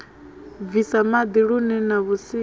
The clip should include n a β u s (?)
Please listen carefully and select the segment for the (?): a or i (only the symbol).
i